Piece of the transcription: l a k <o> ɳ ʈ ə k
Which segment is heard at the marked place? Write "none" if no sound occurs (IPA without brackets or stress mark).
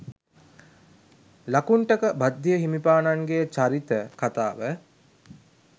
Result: u